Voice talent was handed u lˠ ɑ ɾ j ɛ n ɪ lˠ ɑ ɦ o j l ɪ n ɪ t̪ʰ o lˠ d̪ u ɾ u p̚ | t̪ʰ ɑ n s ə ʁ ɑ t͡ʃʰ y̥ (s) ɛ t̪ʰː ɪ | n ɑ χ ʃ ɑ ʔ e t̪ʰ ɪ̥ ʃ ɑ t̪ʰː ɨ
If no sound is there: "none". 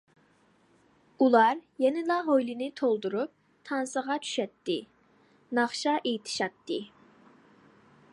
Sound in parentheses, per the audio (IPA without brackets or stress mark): ʃ